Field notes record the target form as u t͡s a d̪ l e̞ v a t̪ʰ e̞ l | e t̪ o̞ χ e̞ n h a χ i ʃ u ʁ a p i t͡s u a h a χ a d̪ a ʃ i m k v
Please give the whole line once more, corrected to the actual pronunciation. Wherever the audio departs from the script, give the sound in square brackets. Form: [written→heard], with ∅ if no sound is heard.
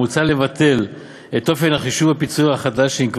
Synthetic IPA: u t͡s a [d̪→∅] l e̞ v a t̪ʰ e̞ l | e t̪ o̞ [χ→f] e̞ n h a χ i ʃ u [ʁ→v] a p i t͡s u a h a χ a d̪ a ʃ i m k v